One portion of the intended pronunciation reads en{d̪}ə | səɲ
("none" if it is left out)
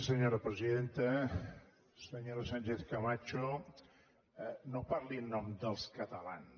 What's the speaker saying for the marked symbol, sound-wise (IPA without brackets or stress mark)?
t̪